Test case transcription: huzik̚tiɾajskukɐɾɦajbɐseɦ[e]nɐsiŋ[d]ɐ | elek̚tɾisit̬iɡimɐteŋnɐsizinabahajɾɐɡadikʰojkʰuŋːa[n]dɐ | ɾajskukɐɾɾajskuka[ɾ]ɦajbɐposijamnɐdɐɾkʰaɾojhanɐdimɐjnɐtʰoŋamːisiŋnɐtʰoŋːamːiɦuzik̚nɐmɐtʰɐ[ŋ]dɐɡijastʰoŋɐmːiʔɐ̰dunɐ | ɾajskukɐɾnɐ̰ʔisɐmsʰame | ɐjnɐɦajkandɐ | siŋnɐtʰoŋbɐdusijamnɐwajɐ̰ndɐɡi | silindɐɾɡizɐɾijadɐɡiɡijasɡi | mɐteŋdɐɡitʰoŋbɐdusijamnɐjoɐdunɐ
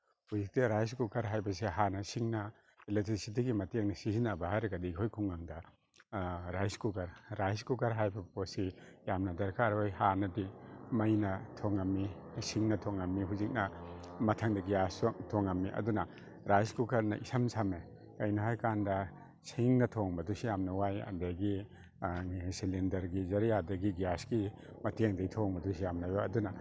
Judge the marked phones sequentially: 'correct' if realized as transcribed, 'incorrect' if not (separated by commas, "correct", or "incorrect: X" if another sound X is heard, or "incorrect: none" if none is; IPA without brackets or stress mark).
incorrect: a, incorrect: n, incorrect: ŋ, correct, correct